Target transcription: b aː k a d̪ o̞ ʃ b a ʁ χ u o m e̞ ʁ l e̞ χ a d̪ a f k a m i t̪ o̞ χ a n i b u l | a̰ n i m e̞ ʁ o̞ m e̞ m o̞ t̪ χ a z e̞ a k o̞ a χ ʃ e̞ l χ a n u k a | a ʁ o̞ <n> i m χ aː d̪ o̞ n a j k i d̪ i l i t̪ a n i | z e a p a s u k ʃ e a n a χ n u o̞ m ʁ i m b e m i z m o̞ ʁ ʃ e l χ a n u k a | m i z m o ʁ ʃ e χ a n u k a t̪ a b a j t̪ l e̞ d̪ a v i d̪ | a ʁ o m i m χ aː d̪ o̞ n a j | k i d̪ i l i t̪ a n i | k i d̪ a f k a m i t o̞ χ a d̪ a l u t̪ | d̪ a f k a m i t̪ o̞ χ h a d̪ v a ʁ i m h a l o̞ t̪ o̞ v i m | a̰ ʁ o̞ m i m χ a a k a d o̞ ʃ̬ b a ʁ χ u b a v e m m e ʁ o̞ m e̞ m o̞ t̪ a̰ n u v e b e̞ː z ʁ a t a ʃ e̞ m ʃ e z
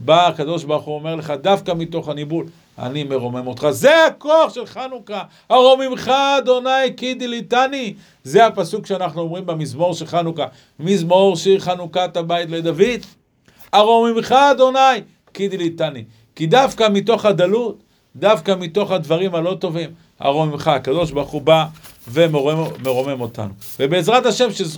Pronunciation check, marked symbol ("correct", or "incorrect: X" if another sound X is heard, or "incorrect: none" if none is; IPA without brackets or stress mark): incorrect: m